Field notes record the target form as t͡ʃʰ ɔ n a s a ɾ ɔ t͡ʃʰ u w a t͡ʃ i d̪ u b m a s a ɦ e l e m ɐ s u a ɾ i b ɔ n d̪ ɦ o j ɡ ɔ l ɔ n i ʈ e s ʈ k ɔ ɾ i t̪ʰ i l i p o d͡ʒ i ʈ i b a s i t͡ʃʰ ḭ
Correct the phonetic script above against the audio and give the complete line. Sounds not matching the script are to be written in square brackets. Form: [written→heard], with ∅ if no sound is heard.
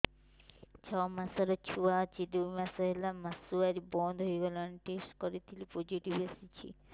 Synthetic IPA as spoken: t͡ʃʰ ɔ [n→m] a s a ɾ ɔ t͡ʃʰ u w a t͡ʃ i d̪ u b m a s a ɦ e l [e→a] m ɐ s u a ɾ i b ɔ n d̪ ɦ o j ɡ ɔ l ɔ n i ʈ e s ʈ k ɔ ɾ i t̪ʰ i l i p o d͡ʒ i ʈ i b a s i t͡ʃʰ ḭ